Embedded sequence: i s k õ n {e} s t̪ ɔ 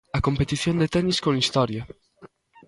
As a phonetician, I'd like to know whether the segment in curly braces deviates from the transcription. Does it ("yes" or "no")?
yes